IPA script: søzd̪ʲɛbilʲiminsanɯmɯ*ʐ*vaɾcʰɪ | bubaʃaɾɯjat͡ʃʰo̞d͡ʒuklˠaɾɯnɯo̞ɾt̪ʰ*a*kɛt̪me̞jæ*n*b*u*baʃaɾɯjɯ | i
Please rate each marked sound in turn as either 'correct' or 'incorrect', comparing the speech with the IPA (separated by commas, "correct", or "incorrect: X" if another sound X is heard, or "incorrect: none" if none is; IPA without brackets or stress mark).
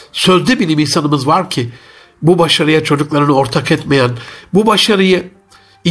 incorrect: z, correct, correct, correct